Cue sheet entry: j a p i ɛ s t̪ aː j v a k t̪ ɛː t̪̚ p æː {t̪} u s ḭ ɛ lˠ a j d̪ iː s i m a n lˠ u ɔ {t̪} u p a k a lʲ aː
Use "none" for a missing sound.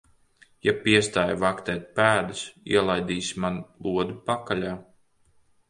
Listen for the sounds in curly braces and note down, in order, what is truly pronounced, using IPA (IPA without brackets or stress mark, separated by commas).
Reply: d̪, d̪